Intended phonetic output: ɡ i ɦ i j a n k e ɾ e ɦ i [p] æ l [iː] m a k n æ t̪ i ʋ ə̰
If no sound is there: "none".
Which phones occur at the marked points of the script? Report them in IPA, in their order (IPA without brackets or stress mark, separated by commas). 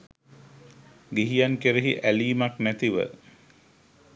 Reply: ʔ, iː